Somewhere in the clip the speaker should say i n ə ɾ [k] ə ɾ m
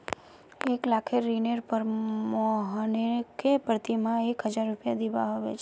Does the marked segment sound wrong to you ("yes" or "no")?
yes